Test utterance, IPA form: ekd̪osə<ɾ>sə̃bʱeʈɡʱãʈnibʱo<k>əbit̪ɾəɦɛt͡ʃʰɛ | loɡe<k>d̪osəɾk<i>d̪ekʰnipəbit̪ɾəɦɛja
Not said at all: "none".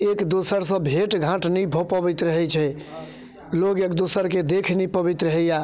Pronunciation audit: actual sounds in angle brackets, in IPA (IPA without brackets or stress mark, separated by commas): ɾ, p, k, e